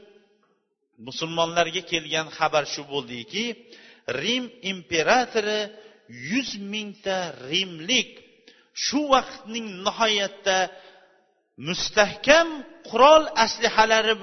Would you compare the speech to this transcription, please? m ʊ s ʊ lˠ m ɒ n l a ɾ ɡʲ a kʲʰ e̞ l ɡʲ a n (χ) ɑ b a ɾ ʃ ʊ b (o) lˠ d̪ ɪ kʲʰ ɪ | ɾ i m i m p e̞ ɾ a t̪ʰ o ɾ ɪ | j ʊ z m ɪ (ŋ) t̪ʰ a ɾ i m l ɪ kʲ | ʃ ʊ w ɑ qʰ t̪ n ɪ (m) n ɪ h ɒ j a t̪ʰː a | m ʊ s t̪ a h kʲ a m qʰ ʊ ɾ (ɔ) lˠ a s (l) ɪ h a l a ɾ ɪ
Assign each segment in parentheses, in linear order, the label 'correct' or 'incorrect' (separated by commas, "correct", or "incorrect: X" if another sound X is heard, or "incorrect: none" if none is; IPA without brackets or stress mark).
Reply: correct, correct, correct, incorrect: ŋ, incorrect: ɒ, correct